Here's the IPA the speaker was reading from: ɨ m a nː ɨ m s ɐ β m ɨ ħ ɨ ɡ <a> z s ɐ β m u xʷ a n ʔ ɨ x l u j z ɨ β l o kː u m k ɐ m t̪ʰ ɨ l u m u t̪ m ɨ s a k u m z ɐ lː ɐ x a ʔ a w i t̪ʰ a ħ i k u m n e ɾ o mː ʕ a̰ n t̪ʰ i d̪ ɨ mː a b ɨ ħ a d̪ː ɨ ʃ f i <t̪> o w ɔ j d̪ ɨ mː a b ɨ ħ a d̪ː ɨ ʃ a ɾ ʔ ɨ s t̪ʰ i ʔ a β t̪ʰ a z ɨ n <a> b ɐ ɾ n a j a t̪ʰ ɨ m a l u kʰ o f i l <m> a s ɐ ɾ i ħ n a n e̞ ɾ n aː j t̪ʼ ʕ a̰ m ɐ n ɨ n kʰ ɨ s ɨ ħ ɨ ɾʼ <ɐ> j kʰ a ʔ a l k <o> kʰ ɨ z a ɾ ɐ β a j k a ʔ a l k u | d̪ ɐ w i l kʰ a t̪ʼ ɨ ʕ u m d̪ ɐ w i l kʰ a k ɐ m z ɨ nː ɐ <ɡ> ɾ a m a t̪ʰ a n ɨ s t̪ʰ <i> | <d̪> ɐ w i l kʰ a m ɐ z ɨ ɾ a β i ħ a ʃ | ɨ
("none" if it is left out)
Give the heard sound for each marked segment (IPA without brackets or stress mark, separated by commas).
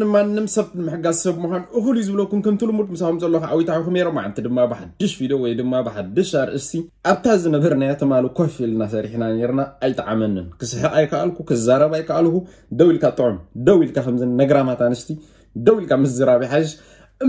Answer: a, d̪, ɐ, n, a, u, ɡ, i, d̪